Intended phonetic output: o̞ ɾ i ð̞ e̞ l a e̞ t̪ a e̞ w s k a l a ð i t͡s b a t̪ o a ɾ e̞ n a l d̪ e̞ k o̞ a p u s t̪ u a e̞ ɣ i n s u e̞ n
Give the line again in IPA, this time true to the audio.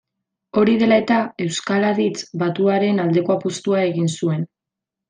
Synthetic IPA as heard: o̞ ɾ i ð̞ e̞ l a e̞ t̪ a e̞ w s k a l a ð i t͡s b a t̪ u a ɾ e̞ n a l d̪ e̞ k o̞ a p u s t̪ u a e̞ ɣ i n s u e̞ n